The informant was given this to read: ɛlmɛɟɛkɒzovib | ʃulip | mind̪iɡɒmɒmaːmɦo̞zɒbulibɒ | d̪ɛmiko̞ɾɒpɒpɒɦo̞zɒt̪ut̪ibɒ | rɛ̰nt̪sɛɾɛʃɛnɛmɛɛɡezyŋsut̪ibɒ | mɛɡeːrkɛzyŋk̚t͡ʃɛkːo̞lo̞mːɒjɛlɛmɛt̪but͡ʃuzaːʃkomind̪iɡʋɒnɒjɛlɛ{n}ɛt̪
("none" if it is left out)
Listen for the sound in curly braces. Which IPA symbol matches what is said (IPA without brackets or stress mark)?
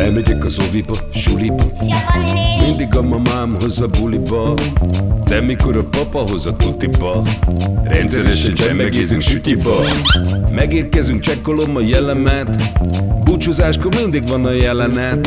n